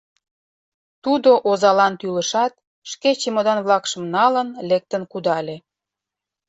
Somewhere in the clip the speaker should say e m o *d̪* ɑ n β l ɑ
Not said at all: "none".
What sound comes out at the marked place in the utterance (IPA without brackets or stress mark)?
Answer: d̪